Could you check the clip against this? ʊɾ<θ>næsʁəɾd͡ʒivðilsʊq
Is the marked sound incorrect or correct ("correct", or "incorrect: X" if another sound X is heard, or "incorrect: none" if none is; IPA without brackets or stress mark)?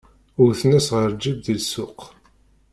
correct